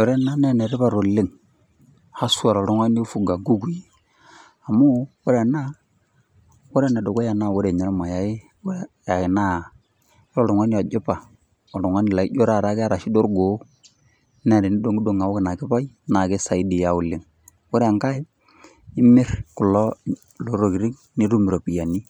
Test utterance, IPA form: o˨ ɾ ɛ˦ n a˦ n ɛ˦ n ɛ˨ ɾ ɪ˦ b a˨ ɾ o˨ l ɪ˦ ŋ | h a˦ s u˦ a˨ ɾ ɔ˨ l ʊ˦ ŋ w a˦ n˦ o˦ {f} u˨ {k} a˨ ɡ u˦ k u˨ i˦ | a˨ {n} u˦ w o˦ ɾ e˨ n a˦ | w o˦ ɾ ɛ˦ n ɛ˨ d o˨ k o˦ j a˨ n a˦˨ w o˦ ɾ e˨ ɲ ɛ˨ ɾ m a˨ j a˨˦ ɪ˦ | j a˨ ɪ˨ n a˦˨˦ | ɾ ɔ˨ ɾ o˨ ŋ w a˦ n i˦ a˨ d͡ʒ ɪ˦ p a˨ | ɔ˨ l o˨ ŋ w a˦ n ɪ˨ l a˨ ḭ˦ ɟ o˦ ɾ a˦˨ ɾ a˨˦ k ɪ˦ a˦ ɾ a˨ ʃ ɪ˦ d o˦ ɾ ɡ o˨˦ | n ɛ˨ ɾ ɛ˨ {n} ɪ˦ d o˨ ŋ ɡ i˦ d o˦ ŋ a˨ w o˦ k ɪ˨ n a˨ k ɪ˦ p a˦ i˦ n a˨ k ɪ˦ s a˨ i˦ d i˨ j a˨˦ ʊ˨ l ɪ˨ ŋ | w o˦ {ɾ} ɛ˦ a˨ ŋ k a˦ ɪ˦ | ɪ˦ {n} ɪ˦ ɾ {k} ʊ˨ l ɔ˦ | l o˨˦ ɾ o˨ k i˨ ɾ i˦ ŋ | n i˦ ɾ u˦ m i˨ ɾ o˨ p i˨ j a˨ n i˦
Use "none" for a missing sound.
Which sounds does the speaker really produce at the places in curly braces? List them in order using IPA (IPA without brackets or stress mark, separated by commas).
f, ɡ, m, n, ɾ, m, k